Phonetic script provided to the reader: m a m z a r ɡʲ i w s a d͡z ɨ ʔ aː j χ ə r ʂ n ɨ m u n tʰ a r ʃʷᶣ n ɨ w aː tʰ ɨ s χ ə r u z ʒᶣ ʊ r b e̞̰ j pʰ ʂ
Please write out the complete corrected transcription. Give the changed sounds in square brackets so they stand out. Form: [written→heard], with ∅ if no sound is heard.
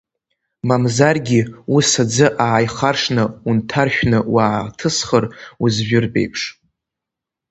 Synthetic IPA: m a m z a r ɡʲ i [w→u] s a d͡z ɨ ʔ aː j χ [ə→a] r ʂ n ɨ [m→∅] u n tʰ a r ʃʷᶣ n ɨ w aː tʰ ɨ s χ ə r u z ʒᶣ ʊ r b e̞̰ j pʰ ʂ